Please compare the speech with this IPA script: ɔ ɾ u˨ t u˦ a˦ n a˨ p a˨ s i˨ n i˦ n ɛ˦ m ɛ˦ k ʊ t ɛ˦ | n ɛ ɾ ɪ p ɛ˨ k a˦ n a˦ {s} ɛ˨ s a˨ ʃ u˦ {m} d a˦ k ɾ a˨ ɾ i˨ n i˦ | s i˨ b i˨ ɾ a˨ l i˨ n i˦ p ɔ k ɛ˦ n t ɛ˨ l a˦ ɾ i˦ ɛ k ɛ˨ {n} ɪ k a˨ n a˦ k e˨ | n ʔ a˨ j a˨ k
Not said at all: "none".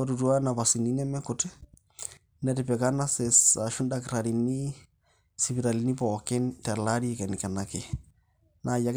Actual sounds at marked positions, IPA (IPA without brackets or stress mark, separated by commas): s, n, n